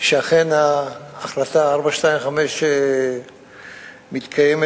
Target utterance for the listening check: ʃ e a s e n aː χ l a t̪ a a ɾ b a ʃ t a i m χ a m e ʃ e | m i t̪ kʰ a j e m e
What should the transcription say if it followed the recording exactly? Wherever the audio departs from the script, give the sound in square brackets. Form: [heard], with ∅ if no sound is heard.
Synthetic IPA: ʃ e a [χ] e n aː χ l a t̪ a a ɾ b a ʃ t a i m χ a m e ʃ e | m i t̪ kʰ a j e m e